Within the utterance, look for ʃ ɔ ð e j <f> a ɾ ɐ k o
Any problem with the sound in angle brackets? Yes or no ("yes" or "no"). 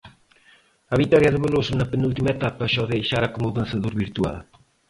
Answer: yes